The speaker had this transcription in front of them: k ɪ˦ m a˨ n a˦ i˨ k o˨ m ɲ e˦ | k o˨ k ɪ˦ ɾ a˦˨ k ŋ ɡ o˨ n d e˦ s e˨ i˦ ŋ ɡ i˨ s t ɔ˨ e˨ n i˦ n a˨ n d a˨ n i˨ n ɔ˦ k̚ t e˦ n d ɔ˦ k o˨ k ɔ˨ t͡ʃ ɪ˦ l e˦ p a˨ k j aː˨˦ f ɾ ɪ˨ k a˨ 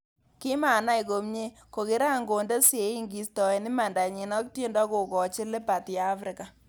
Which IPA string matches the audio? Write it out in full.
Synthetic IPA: k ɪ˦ m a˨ n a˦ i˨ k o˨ m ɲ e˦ | k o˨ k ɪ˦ ɾ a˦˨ ŋ ɡ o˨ n d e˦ s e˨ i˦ ŋ ɡ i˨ s t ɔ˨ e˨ n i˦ m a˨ n d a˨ ɲ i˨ n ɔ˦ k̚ t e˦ n d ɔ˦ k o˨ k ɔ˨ t͡ʃ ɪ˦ l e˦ p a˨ t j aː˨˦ f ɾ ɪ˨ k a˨